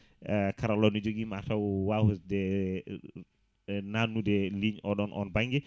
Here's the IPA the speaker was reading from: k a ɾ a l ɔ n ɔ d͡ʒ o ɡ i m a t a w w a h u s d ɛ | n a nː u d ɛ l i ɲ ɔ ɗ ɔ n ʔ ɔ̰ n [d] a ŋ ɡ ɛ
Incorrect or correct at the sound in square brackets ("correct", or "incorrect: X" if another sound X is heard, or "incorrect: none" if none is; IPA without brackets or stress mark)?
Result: incorrect: b